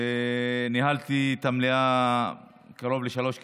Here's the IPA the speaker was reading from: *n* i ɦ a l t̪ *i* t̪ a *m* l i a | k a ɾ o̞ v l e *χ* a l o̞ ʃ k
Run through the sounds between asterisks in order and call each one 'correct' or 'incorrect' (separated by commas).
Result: correct, correct, correct, incorrect